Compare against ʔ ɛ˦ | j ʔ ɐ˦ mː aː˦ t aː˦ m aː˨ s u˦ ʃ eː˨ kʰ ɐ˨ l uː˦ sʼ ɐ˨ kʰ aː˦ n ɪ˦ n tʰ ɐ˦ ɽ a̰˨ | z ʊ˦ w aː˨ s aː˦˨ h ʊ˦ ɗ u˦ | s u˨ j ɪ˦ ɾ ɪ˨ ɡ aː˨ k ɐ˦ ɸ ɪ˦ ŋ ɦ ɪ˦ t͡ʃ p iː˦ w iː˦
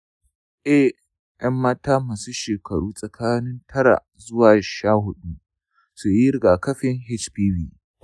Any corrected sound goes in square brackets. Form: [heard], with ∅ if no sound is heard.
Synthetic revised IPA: ʔ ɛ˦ | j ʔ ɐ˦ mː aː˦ t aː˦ m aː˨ s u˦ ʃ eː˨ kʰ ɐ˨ [ɽ] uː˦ sʼ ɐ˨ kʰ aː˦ n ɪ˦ n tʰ ɐ˦ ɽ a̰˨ | z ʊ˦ w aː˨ [ʃ] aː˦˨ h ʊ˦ ɗ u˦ | s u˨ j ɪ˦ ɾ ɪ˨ ɡ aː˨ k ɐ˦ ɸ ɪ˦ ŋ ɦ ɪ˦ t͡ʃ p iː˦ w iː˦